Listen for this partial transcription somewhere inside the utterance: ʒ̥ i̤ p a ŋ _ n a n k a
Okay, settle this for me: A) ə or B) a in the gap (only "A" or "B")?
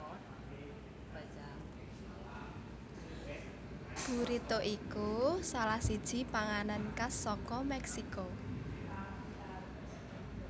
B